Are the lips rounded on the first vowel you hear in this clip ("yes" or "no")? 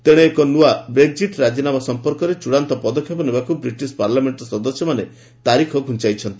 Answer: no